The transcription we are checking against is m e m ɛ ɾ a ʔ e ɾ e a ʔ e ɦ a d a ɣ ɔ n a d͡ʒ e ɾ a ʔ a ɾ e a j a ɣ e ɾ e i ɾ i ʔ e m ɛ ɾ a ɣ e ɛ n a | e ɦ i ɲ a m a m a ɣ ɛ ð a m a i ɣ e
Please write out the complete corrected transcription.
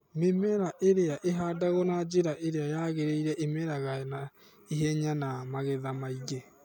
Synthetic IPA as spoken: m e m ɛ ɾ a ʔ e ɾ e a ʔ e ɦ a d a ɣ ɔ n a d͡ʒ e ɾ a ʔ e ɾ e a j a ɣ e ɾ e i ɾ ɛ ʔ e m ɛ ɾ a ɣ a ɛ n a | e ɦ ɛ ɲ a n a m a ɣ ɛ ð a m a i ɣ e